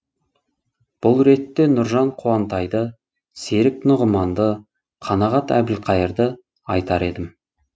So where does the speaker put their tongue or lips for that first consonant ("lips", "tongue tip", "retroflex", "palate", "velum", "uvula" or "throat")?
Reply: lips